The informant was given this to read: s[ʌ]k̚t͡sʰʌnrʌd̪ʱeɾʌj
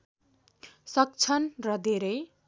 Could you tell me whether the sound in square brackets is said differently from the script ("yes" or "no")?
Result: no